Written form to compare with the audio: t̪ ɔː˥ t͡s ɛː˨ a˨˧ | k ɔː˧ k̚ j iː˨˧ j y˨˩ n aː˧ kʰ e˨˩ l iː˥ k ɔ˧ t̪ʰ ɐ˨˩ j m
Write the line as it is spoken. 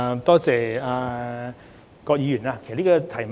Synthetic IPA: t̪ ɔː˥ t͡s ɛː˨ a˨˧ | k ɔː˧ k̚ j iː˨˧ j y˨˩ n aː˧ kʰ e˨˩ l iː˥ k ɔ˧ t̪ʰ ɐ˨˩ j m